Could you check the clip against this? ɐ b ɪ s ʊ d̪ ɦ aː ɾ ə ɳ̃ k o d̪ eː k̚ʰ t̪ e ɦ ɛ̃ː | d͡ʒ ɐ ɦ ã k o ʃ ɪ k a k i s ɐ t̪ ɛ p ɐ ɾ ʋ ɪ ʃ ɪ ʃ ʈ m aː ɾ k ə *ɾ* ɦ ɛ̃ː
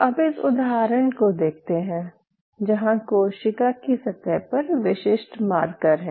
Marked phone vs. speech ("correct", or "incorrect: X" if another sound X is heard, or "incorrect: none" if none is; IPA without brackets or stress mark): correct